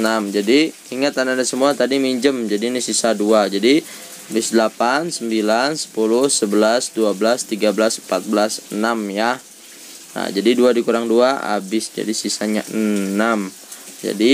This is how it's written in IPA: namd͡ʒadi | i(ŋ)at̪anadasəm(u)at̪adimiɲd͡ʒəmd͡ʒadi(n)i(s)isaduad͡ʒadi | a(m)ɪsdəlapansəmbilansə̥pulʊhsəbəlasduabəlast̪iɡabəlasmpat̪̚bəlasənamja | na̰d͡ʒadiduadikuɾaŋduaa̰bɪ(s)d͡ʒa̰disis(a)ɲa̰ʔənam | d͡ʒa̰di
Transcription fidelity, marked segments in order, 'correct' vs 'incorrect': correct, correct, correct, correct, incorrect: b, correct, correct

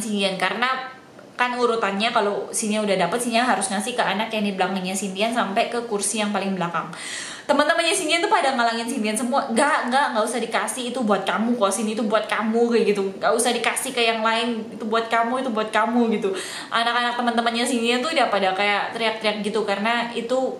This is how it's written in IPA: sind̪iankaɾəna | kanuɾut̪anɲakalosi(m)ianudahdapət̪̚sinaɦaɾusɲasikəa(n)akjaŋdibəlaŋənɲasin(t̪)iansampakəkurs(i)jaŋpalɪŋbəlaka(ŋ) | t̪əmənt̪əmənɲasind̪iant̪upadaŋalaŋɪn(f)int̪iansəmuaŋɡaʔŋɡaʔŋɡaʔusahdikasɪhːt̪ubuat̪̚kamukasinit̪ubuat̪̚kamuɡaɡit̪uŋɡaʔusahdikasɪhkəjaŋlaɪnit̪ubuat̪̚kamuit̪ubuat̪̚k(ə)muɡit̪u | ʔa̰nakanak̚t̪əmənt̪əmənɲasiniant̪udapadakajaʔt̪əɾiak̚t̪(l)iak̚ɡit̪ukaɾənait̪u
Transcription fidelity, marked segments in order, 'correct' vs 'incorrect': incorrect: n, correct, correct, correct, correct, incorrect: s, incorrect: a, incorrect: ɾ

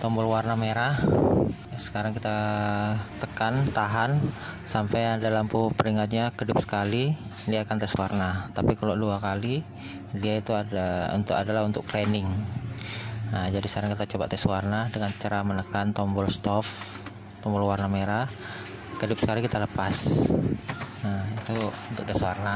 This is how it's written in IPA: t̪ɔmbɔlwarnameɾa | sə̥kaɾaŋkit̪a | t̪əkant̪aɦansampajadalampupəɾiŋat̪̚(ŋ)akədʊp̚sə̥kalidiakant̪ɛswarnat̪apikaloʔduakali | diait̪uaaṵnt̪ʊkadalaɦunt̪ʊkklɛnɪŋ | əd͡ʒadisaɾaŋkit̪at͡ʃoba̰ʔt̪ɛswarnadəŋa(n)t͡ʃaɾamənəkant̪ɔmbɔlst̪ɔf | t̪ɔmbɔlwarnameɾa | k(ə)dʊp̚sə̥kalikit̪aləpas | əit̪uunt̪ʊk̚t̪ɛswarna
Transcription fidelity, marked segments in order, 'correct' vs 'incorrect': incorrect: ɲ, correct, correct

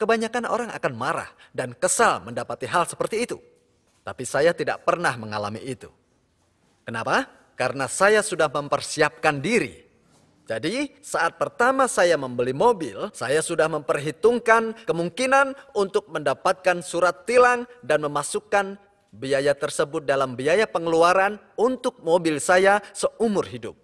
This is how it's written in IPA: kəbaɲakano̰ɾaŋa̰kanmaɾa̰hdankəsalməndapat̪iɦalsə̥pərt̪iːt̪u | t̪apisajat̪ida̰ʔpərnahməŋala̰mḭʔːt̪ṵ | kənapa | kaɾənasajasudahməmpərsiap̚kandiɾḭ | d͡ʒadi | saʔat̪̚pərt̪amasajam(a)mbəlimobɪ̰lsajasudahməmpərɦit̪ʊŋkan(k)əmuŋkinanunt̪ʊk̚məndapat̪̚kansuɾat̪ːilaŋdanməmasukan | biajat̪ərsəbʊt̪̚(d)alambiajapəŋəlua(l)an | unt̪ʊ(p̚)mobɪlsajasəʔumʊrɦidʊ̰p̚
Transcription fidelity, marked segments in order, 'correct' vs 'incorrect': incorrect: ə, correct, correct, incorrect: ɾ, incorrect: k̚

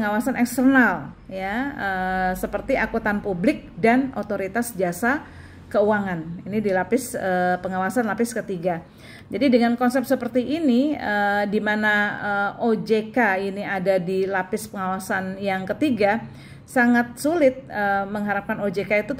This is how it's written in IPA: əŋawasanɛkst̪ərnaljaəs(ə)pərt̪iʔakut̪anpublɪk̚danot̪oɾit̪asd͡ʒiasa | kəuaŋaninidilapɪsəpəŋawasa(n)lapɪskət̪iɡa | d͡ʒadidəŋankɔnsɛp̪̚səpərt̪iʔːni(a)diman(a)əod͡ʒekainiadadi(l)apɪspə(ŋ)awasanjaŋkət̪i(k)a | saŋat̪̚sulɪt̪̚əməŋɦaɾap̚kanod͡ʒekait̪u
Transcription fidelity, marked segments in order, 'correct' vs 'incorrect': correct, correct, incorrect: ə, correct, correct, correct, incorrect: ɡ

